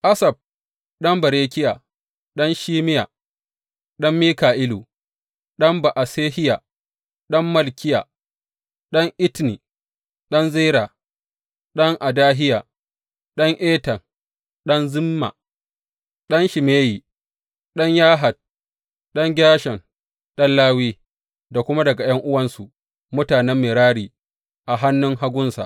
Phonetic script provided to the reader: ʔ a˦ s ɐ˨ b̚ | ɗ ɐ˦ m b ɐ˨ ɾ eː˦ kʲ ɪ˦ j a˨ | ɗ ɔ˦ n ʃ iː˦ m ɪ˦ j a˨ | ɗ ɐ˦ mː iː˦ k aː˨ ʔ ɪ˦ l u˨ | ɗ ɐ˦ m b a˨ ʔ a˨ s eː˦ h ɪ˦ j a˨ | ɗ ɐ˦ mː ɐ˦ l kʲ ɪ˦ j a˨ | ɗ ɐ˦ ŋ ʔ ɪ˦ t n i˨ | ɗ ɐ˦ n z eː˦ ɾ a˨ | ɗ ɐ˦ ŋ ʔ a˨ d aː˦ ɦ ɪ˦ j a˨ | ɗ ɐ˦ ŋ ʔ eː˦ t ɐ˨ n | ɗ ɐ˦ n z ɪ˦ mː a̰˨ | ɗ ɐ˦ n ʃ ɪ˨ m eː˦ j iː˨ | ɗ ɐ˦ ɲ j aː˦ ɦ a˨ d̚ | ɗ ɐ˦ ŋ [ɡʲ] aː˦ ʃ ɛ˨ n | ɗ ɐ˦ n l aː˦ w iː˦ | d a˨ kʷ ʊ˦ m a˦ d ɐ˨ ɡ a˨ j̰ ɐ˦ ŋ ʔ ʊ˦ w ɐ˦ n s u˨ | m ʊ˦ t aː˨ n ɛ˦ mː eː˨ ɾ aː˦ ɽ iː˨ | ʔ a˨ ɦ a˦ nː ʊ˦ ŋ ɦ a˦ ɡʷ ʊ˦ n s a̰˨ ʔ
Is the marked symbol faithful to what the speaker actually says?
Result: yes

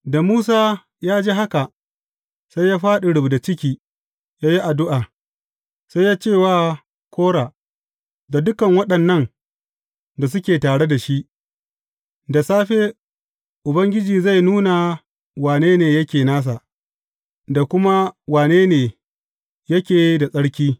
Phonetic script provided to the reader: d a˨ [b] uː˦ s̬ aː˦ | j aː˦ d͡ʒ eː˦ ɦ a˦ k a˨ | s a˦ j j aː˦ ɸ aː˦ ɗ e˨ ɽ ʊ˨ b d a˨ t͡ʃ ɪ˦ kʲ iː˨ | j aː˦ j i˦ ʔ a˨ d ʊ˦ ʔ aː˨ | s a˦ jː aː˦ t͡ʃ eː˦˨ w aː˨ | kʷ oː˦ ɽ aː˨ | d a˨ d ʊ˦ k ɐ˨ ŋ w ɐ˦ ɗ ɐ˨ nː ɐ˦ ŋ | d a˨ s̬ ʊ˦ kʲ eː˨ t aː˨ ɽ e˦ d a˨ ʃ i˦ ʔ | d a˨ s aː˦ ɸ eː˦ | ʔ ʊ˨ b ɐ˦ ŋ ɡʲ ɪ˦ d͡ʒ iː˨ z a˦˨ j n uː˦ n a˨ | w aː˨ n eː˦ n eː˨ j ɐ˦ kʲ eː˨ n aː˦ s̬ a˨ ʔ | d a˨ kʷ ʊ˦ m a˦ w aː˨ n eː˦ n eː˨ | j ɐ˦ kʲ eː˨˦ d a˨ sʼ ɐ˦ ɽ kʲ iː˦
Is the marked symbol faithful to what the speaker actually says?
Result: no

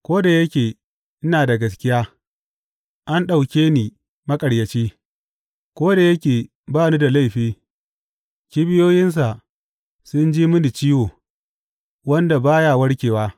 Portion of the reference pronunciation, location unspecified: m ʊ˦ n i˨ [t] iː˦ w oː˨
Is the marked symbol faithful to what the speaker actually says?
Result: no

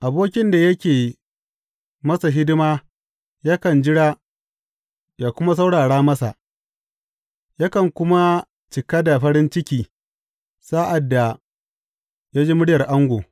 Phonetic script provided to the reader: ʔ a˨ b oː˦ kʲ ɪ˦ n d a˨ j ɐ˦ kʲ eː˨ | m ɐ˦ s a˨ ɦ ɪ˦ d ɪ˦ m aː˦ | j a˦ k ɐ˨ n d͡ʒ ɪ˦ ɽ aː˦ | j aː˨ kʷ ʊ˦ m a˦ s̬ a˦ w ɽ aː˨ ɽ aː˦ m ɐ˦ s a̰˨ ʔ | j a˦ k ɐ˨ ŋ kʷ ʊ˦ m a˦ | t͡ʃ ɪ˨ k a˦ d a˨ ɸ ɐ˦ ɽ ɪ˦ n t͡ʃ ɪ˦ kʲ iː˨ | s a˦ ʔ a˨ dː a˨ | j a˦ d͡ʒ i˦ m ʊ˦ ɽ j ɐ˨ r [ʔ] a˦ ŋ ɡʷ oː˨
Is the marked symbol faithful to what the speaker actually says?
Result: yes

